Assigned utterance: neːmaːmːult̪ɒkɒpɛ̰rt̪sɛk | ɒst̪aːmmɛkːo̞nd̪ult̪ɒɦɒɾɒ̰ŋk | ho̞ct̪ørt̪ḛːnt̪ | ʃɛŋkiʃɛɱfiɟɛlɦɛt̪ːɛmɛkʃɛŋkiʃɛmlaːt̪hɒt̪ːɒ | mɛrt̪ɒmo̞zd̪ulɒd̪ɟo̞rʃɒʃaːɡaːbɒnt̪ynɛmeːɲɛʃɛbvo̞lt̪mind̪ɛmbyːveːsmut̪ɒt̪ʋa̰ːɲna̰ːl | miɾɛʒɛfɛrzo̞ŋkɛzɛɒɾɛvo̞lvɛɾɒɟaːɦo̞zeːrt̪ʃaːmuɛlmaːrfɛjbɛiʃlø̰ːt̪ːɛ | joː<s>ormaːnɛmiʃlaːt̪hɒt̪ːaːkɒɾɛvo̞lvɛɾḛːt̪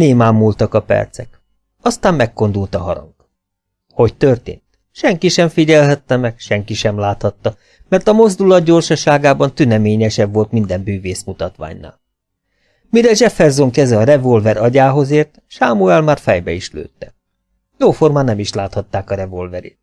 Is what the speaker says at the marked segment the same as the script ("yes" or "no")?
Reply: no